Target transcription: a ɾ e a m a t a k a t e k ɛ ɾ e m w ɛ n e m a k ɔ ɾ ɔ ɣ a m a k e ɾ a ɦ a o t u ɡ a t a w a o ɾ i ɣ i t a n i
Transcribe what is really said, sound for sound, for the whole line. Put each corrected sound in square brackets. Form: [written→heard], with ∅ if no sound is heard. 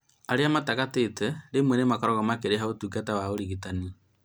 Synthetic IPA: a ɾ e a m a t a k a t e [k→t] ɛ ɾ e m w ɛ n e m a k ɔ ɾ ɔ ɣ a m a k e ɾ [a→e] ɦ a o t u ɡ a t a w a o ɾ i ɣ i t a n i